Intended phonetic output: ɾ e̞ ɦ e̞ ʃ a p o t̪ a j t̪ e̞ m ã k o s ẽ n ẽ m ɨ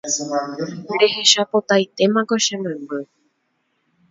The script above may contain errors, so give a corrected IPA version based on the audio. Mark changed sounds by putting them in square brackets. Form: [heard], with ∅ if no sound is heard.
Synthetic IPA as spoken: ɾ e̞ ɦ e̞ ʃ a p o t̪ a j t̪ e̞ m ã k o [ʃ] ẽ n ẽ m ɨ